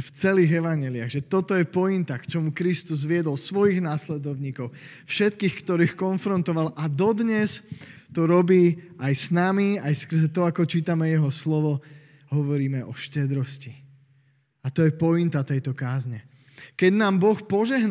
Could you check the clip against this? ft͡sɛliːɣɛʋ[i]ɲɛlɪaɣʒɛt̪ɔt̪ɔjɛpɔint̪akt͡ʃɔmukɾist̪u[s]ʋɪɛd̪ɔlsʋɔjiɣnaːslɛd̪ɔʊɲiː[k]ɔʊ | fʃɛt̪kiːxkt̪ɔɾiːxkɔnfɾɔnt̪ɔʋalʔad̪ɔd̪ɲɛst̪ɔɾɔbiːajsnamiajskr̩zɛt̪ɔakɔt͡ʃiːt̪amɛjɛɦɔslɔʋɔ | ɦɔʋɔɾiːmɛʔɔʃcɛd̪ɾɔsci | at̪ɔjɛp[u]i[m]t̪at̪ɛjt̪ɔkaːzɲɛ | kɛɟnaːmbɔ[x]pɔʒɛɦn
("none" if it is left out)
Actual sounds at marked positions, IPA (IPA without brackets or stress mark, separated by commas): a, z, k, ɔ, n, x